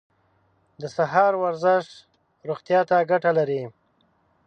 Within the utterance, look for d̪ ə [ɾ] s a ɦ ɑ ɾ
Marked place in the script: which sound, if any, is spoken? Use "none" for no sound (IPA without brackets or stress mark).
none